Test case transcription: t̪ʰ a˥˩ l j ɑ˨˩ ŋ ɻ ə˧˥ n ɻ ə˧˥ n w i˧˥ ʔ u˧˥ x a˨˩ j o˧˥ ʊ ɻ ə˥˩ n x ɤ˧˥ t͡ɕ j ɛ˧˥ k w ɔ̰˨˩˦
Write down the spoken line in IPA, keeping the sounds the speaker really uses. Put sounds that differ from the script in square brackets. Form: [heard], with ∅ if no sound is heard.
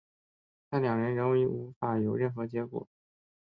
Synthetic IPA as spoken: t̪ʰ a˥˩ l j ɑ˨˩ ŋ ɻ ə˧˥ n ɻ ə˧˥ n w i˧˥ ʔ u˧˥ [f] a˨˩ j [o˨˩] ʊ ɻ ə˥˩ n x ɤ˧˥ t͡ɕ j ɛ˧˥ k w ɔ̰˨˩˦